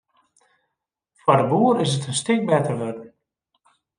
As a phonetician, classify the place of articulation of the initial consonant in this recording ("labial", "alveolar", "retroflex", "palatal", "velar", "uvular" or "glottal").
labial